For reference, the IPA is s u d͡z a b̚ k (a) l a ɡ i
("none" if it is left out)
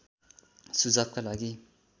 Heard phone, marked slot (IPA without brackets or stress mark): a